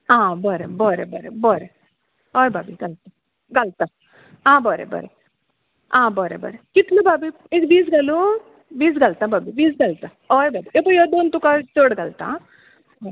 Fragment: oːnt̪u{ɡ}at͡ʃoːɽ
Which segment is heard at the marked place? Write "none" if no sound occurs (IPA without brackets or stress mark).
k